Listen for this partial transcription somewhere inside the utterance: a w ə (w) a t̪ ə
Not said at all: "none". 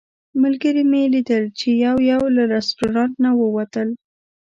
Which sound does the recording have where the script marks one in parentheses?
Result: w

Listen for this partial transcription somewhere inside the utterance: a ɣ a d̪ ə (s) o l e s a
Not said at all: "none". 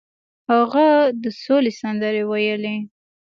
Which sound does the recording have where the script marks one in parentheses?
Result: s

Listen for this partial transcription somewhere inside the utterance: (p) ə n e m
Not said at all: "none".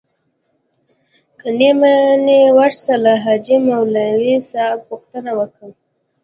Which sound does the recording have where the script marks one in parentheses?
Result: k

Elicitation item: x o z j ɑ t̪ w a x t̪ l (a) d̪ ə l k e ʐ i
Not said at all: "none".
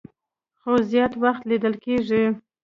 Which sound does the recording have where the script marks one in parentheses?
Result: i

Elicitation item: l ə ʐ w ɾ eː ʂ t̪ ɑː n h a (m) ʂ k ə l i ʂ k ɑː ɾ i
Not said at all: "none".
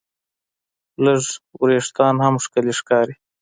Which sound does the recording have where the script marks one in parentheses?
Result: m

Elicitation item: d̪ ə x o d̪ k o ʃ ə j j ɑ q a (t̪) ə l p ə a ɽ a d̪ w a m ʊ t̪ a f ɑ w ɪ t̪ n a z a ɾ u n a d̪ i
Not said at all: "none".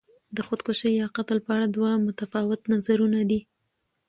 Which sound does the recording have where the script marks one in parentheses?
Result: t̪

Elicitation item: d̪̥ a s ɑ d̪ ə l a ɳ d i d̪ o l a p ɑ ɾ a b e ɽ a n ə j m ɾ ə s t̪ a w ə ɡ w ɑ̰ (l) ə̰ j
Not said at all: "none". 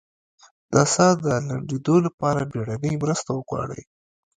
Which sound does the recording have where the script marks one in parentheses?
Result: ɽ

